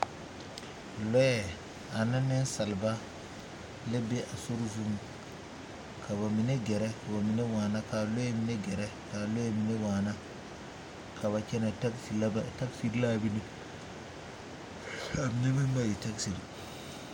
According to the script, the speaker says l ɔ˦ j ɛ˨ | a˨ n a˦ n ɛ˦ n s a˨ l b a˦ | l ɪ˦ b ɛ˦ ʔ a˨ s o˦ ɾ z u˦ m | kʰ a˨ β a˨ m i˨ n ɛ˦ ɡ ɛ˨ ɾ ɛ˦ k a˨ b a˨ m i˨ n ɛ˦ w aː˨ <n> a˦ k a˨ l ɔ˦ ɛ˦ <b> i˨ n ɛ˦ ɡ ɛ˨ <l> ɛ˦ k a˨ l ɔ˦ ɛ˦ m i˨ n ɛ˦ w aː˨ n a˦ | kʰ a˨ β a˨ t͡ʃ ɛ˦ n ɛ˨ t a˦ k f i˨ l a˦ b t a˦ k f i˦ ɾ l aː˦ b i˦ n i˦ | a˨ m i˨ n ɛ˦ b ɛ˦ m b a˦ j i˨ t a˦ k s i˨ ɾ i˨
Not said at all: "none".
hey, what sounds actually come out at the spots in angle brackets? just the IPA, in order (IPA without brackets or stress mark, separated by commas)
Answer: n, m, ɾ